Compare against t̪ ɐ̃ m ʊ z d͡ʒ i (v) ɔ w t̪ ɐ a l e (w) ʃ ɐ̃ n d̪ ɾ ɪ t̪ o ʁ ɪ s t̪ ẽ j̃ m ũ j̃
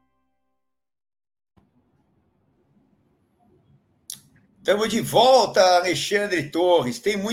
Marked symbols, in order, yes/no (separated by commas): yes, no